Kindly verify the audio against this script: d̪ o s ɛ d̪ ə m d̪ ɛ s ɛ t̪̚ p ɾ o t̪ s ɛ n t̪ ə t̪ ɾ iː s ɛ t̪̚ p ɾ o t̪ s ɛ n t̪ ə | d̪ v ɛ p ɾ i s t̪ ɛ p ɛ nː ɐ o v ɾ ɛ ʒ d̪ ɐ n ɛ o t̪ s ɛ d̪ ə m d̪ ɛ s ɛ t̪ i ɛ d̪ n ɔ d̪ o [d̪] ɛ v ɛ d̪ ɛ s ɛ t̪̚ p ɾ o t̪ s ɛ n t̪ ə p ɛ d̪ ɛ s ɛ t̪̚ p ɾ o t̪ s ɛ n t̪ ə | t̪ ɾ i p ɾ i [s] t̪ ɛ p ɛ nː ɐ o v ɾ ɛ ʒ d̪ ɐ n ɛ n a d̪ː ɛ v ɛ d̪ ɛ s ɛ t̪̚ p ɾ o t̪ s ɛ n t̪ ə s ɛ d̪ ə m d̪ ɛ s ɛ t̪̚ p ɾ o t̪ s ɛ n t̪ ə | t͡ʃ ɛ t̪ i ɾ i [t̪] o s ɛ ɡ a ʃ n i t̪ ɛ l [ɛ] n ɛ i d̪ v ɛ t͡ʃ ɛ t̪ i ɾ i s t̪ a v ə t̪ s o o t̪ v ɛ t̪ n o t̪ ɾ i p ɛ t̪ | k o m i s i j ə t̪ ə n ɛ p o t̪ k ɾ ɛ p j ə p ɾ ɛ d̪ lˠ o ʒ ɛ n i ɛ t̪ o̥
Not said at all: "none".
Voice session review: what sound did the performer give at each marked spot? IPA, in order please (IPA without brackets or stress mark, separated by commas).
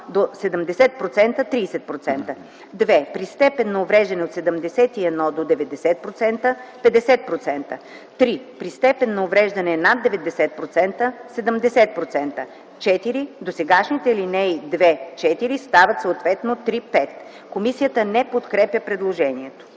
d̪, s, d̪, i